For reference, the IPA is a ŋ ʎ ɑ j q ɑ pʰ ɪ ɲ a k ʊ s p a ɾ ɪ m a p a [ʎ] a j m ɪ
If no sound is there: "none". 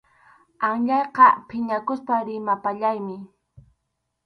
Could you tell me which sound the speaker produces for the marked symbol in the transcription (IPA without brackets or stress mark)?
ʎ